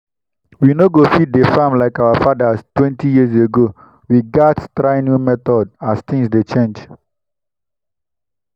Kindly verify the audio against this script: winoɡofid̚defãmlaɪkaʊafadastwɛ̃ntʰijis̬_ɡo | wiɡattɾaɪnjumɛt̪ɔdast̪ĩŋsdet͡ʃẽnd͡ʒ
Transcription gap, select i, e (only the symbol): e